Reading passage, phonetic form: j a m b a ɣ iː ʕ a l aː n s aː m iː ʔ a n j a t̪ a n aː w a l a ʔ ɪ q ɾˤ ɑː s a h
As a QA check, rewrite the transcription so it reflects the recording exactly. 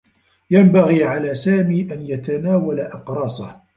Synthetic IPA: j a m b a ɣ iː ʕ a l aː s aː m iː ʔ a n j a t̪ a n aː w a l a ʔ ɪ q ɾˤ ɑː s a h